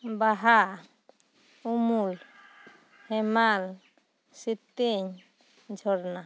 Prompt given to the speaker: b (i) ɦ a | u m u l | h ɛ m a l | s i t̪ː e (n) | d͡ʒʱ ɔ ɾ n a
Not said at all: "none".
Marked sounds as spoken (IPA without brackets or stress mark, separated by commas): a, ɲ